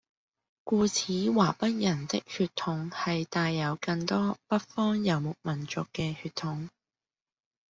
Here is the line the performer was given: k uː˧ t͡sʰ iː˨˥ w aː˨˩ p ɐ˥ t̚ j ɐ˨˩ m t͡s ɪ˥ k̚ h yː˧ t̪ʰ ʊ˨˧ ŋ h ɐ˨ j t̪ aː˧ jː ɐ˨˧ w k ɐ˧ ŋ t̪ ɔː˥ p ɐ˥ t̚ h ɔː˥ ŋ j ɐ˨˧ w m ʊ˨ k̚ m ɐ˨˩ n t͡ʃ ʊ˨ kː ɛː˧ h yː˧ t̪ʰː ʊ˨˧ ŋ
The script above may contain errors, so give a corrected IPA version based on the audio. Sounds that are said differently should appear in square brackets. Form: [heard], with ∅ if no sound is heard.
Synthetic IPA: k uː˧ t͡sʰ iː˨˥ w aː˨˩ p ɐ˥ t̚ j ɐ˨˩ [n] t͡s ɪ˥ k̚ h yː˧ t̪ʰ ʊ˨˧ ŋ h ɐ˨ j t̪ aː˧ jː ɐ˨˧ w k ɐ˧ ŋ t̪ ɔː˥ p ɐ˥ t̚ [f] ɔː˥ ŋ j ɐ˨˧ w m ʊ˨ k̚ m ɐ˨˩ n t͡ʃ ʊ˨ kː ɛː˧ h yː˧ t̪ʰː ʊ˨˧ ŋ